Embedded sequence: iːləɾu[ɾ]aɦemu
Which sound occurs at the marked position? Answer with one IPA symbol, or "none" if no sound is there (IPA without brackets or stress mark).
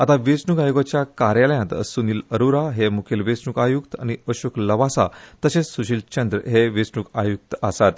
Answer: ɾ